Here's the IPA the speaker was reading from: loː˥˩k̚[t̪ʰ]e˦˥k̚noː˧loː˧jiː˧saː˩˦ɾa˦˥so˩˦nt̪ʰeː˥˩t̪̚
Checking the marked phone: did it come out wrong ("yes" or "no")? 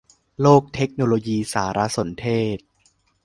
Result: no